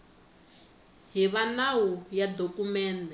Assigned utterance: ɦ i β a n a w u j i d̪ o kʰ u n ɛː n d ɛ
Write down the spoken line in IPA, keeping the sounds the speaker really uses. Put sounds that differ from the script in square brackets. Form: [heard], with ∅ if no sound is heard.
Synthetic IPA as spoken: ɦ i β a n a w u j [a] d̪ o [k] u [m] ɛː n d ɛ